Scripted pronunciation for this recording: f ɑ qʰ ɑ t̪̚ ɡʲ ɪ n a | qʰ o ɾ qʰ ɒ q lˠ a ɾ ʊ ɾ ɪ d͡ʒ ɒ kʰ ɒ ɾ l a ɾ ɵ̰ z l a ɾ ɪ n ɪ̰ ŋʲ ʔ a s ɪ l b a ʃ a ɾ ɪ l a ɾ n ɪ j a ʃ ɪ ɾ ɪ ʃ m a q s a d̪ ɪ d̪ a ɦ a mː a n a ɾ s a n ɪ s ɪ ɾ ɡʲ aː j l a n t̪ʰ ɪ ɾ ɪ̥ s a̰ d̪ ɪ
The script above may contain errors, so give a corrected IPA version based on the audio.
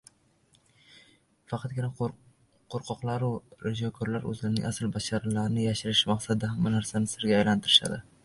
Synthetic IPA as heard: f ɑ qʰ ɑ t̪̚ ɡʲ ɪ n a | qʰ o ɾ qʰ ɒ q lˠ a ɾ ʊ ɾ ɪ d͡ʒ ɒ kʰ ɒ ɾ l a ɾ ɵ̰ z l a ɾ ɪ n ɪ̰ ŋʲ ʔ a s ɪ l b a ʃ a ɾ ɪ l a ɾ n ɪ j a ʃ ɪ ɾ ɪ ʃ m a q s a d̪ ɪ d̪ a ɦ a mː a n a ɾ s a n ɪ s ɪ ɾ ɡʲ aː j l a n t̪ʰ ɪ ɾ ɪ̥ ʃ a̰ d̪ ɪ